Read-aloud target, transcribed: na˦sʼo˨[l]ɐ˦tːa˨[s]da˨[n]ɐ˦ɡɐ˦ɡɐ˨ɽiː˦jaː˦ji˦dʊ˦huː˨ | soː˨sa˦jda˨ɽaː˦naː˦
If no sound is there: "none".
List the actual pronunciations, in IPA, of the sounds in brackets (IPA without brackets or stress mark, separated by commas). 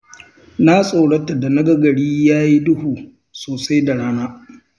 ɽ, none, n